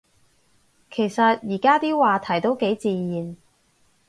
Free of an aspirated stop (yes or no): no